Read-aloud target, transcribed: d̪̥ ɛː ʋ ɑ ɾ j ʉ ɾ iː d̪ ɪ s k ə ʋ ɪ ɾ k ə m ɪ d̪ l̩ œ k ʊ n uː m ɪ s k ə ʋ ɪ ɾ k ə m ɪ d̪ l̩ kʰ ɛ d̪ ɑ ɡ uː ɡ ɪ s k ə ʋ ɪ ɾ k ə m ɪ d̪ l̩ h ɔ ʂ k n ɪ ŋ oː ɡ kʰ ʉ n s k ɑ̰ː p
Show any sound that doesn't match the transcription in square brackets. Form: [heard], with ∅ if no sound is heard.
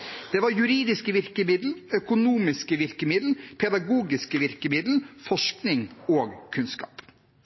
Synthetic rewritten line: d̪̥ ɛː ʋ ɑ ɾ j ʉ ɾ iː d̪ ɪ s k ə ʋ ɪ ɾ k ə m ɪ d̪ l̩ œ k ʊ n uː m ɪ s k ə ʋ ɪ ɾ k ə m ɪ d̪ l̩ [pʰ] ɛ d̪ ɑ ɡ uː ɡ ɪ s k ə ʋ ɪ ɾ k ə m ɪ d̪ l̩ [f] ɔ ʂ k n ɪ ŋ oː ɡ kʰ ʉ n s k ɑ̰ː p